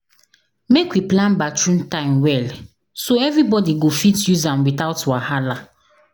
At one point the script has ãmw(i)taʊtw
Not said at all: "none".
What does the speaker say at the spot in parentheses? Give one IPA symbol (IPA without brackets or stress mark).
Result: i